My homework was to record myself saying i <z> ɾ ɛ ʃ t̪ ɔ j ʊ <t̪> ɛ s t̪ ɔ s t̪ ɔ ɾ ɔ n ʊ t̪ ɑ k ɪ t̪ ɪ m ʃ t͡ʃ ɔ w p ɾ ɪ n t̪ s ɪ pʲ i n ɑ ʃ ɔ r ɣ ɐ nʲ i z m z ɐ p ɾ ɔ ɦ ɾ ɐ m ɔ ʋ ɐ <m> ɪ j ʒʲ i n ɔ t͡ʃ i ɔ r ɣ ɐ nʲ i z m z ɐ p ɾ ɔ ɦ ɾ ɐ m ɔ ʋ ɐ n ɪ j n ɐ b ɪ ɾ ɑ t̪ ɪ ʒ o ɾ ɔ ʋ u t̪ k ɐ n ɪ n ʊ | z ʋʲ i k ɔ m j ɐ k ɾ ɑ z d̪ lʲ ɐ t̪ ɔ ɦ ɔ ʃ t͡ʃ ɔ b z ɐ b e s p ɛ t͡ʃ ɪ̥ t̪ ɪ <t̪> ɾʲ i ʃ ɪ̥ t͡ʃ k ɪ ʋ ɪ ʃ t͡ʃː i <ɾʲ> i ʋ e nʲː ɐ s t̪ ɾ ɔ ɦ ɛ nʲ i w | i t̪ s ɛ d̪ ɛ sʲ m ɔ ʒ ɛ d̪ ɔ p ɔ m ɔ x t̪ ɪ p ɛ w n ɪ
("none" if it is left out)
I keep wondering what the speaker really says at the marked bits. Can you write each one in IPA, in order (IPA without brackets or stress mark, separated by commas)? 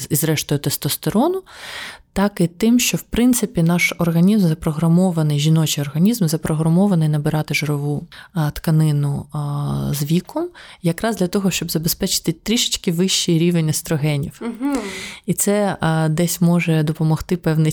z, t̪, n, t̪, ɾʲ